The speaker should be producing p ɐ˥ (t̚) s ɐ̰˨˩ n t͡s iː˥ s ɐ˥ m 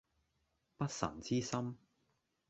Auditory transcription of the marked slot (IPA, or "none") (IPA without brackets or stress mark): t̚